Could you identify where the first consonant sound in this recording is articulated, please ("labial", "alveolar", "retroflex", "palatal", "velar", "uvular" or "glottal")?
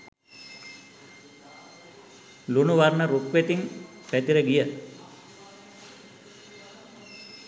alveolar